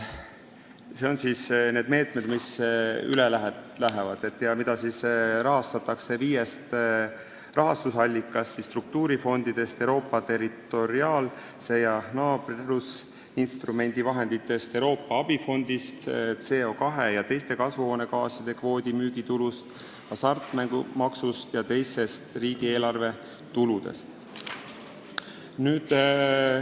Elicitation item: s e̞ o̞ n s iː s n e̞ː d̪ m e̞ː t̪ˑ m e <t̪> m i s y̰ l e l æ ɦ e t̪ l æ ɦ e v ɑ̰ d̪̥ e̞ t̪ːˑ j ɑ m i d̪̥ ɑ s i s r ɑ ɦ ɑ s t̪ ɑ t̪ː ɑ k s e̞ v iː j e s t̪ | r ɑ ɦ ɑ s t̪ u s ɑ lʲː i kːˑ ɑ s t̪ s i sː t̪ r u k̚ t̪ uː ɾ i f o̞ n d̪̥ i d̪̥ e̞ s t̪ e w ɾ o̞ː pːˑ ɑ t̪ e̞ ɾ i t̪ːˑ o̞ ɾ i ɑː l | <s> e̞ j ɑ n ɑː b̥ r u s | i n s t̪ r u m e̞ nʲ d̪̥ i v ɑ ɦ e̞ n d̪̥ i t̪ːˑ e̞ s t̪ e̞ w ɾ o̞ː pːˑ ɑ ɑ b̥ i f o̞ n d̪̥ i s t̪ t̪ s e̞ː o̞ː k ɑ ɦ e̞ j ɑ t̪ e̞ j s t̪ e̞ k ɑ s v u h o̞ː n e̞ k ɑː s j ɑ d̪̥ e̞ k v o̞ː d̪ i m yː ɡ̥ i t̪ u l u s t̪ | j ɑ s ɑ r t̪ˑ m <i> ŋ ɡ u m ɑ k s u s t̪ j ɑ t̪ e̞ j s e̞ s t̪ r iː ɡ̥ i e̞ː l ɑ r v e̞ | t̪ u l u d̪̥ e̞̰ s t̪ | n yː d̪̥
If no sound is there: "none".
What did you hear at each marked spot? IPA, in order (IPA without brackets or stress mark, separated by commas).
d̪, s, æ